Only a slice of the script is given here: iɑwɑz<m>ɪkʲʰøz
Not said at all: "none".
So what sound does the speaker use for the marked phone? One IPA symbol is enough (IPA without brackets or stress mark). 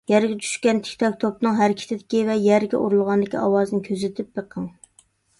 n